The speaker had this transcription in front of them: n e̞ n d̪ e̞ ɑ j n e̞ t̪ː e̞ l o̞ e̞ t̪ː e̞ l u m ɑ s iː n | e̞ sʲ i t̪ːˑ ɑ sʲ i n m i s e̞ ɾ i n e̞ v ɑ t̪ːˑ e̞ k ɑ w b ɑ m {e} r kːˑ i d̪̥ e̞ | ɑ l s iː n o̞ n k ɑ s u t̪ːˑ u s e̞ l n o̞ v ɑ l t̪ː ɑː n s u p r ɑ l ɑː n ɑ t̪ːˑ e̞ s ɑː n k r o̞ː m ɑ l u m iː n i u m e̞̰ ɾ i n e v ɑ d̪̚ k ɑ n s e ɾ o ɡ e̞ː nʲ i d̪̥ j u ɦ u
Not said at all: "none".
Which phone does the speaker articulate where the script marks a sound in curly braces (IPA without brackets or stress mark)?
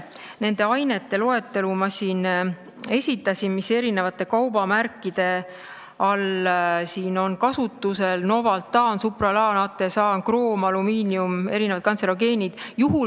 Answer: æ